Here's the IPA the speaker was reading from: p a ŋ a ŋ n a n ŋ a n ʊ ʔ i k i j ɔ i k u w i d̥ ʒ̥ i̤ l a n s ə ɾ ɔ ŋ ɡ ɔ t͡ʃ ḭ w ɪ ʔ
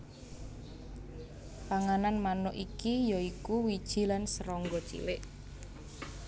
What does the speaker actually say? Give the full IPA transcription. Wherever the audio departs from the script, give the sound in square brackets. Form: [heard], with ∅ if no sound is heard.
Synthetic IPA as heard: p a ŋ a [∅] n a n [m] a n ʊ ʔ i k i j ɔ i k u w i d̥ ʒ̥ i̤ l a n s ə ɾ ɔ ŋ ɡ ɔ t͡ʃ ḭ w ɪ ʔ